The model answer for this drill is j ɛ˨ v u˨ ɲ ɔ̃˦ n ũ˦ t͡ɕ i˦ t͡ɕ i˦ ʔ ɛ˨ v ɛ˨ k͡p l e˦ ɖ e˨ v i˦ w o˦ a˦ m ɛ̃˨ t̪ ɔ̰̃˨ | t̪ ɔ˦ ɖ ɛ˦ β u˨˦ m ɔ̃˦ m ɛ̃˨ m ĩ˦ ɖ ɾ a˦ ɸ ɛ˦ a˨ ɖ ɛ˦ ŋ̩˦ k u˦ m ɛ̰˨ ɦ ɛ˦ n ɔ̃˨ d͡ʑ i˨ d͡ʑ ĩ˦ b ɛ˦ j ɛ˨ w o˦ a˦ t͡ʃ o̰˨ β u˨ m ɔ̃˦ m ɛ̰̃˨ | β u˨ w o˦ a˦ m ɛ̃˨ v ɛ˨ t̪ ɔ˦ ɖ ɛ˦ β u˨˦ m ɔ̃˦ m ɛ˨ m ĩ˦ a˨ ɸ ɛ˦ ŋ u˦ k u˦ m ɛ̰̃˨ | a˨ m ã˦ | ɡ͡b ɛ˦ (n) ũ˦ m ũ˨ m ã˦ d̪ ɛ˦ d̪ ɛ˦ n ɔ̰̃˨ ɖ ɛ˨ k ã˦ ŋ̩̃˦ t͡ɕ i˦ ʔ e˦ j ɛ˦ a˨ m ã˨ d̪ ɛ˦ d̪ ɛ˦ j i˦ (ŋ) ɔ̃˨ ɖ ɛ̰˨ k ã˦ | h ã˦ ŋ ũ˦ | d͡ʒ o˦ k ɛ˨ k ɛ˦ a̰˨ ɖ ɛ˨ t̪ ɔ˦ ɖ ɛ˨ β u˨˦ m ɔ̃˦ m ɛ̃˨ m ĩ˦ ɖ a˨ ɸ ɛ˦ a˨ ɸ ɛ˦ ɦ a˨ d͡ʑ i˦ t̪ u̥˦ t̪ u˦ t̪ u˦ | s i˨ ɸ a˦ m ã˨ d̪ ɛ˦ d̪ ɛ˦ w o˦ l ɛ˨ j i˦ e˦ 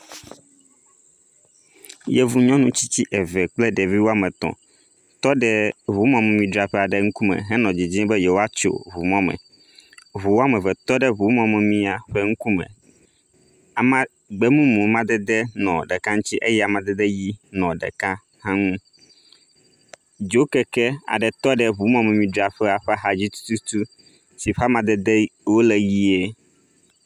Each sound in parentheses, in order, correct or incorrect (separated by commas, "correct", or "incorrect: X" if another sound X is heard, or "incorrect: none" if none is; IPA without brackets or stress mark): incorrect: m, incorrect: n